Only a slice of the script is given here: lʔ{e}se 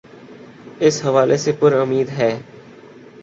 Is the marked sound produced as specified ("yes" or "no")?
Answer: yes